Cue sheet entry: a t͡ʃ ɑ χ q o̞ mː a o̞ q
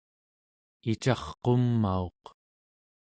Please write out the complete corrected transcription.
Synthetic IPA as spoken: i t͡ʃ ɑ χ q o̞ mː a o̞ q